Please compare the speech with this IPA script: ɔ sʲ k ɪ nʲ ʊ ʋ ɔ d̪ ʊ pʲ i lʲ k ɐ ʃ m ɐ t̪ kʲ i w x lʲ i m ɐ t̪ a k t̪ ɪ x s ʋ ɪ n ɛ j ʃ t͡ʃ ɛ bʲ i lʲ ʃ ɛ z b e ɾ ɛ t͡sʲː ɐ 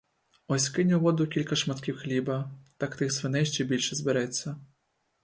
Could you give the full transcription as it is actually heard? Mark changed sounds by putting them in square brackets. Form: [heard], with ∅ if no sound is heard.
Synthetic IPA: ɔ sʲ k ɪ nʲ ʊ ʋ ɔ d̪ ʊ [kʲ] i lʲ k ɐ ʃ m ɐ t̪ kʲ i w x lʲ i [b] ɐ t̪ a k t̪ ɪ x s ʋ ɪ n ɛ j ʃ t͡ʃ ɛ bʲ i lʲ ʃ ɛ z b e ɾ ɛ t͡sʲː ɐ